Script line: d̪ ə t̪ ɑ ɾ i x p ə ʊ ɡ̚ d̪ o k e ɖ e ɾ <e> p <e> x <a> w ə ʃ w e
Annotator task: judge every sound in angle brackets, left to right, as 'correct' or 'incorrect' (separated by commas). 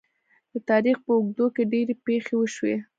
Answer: correct, correct, incorrect